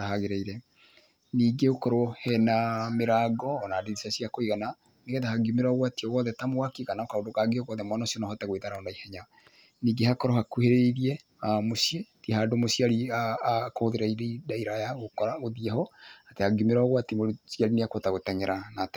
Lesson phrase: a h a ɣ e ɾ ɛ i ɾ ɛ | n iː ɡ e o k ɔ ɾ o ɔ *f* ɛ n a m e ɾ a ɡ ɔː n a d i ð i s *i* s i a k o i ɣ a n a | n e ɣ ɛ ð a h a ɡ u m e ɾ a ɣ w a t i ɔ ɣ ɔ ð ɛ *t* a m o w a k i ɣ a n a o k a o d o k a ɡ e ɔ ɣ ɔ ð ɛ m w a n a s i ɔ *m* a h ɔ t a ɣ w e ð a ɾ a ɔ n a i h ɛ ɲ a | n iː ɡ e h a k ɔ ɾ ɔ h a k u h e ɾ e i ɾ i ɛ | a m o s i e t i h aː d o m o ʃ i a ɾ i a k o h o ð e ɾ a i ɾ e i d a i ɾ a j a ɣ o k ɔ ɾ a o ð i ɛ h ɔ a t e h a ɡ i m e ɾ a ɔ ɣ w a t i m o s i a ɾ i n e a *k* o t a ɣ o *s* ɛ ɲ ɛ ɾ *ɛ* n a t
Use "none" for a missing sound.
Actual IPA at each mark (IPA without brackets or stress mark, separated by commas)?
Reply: h, a, t, n, k, t, a